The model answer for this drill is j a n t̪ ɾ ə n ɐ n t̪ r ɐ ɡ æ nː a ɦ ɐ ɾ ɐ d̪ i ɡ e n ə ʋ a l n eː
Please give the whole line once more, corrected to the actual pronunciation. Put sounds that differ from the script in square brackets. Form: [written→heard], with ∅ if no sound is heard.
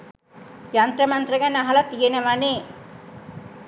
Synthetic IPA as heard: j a n t̪ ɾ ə [n→m] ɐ n t̪ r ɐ ɡ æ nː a ɦ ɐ [ɾ→l] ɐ [d̪→t̪] i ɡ e n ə ʋ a [l→∅] n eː

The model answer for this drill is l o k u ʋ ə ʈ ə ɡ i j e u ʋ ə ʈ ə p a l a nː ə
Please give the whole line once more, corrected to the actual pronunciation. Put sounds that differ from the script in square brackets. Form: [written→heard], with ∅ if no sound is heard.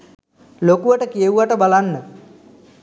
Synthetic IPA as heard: l o k u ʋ ə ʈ ə [ɡ→k] i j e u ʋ [ə→a] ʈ ə [p→b] a l a nː ə

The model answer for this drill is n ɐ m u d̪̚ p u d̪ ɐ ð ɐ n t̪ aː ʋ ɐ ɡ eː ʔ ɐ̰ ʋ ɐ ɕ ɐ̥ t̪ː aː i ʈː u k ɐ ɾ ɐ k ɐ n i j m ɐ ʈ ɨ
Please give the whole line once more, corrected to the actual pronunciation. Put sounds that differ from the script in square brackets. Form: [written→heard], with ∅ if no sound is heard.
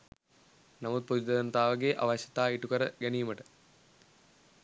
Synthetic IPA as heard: n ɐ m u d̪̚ p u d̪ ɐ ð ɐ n t̪ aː ʋ ɐ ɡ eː ʔ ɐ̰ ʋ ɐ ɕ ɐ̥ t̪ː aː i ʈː u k ɐ ɾ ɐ [k→ɡ] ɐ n i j m ɐ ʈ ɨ

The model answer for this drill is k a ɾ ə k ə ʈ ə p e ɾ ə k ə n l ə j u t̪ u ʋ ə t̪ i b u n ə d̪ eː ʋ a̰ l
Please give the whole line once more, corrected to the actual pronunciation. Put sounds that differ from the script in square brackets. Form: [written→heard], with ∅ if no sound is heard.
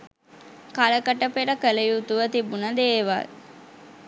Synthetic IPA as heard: k a [ɾ→l] ə k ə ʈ ə p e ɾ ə k ə [n→∅] l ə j u t̪ u ʋ ə t̪ i b u n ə d̪ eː ʋ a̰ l

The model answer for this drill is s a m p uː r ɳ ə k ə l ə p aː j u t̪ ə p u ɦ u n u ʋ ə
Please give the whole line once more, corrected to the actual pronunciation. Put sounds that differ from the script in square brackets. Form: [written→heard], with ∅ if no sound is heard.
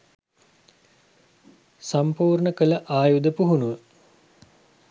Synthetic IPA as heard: s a m p uː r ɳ ə k ə l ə [p→ʔ] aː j u [t̪→d̪] ə p u ɦ u n u ʋ ə

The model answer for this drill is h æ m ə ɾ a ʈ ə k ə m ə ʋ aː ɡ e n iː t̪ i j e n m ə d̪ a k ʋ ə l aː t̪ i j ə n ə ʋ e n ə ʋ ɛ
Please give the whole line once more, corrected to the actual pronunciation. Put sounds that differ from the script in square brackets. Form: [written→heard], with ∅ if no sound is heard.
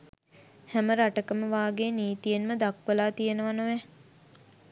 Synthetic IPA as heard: h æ m ə ɾ a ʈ ə k ə m ə ʋ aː ɡ e n iː t̪ i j e n m ə d̪ a k ʋ ə l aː t̪ i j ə n ə ʋ [e→a] n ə ʋ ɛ

